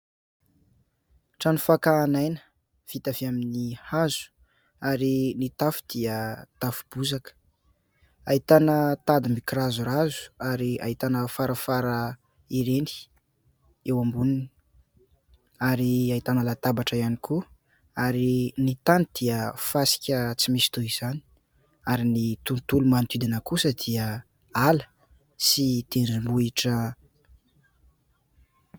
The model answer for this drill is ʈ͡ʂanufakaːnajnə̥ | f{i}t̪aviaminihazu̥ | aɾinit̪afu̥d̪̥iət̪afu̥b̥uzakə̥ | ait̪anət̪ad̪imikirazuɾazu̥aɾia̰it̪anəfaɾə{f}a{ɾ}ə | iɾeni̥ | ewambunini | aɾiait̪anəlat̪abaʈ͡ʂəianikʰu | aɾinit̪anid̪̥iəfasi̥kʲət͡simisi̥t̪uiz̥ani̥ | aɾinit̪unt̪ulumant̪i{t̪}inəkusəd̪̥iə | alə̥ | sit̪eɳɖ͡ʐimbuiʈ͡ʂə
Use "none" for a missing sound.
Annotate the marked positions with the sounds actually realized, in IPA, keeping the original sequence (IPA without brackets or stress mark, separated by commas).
i, f, ɾ, d̪